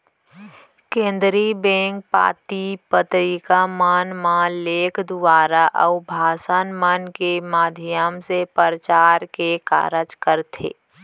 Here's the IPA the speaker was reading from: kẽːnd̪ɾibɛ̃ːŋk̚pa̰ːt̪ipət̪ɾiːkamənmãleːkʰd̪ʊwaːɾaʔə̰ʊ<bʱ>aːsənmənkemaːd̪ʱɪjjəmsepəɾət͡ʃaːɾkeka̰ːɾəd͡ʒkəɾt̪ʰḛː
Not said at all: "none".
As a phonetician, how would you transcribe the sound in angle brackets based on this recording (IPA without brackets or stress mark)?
bʱ